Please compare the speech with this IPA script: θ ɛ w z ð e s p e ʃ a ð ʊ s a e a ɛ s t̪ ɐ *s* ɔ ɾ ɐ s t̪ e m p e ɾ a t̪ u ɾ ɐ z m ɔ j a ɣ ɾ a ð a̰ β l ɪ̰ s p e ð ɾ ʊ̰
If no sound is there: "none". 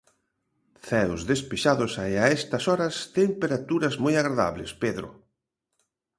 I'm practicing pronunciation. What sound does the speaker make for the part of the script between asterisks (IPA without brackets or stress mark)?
s